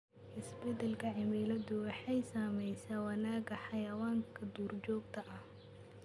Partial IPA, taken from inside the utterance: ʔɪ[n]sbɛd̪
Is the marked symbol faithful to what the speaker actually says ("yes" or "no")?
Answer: no